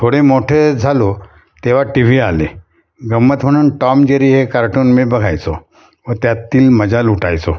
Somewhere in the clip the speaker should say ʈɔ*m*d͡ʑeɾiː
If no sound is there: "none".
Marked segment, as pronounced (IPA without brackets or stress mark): m